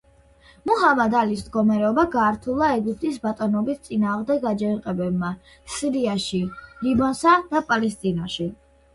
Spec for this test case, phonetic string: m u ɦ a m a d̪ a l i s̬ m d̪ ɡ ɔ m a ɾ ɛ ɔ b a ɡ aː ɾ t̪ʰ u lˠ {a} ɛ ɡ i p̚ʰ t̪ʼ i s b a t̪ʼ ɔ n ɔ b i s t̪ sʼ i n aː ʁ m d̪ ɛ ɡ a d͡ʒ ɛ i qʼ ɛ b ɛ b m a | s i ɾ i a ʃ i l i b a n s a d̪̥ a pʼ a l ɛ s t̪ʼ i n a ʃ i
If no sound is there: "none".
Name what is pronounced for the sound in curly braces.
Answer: a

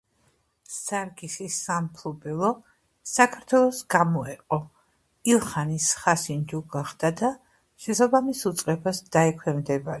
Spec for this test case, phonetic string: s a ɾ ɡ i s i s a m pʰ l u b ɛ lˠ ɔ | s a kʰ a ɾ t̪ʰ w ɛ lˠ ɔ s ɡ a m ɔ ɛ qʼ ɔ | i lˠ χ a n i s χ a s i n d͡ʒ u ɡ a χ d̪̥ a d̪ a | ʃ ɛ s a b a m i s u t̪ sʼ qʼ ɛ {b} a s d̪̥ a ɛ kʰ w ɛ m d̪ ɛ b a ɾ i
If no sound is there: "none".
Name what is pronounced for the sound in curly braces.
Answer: b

